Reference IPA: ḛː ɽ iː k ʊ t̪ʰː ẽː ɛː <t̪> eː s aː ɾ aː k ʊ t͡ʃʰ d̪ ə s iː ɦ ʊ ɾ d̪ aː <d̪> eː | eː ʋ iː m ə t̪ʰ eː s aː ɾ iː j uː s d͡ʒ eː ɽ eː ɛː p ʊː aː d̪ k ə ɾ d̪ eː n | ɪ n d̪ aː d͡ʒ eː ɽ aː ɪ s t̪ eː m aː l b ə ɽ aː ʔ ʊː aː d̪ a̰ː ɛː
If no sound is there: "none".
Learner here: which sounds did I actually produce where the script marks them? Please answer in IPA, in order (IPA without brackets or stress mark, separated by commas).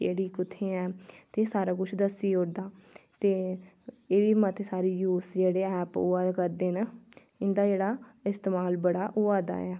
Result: t̪, t̪